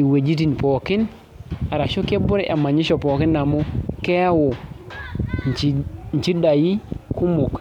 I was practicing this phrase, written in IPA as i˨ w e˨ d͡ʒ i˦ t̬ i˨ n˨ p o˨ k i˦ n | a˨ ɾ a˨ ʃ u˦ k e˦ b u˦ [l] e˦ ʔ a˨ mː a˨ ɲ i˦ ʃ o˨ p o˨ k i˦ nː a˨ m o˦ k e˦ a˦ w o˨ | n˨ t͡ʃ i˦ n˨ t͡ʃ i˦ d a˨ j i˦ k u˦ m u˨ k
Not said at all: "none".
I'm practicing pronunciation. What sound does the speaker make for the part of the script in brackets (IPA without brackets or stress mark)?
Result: ɾ